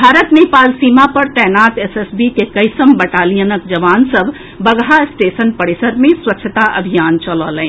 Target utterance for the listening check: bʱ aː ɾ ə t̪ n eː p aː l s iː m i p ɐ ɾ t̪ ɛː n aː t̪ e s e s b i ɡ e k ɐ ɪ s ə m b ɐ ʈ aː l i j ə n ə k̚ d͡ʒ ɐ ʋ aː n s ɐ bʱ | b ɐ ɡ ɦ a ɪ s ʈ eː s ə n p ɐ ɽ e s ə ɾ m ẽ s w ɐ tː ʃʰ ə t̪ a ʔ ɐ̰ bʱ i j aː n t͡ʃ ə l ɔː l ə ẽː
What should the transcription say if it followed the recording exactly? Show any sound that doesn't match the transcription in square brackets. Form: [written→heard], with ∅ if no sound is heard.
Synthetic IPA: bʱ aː ɾ ə t̪ n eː p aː l s iː m [i→a] p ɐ ɾ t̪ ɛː n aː t̪ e s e s b i [ɡ→k] e k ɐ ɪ s ə m b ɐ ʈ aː l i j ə n ə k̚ d͡ʒ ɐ ʋ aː n s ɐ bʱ | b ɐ ɡ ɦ a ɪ s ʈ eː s ə n p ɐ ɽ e s ə ɾ m ẽ s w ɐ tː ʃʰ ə t̪ a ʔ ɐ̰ bʱ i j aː n t͡ʃ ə l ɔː l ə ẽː